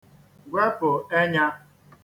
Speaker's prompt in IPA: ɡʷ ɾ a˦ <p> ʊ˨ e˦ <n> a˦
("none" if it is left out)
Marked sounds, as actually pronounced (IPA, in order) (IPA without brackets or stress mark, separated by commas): p, ɲ